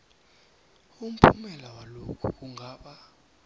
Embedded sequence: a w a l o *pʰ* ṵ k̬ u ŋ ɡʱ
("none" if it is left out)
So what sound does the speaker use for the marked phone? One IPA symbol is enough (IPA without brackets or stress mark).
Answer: kʰ